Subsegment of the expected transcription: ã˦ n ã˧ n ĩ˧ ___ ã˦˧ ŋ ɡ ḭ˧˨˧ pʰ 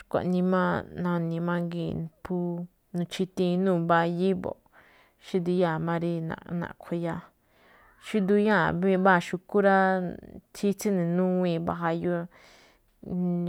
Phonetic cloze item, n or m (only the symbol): m